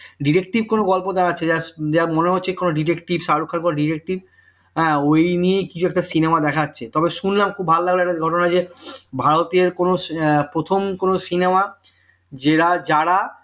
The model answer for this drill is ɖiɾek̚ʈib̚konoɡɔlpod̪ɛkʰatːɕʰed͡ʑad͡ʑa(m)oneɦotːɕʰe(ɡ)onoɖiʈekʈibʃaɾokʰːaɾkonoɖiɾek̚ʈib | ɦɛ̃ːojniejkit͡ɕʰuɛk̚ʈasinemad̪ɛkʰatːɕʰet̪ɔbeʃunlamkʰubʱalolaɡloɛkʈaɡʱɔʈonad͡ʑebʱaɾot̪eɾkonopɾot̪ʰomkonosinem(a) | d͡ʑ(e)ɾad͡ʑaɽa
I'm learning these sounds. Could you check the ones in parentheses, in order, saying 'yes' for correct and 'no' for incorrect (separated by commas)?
yes, no, yes, yes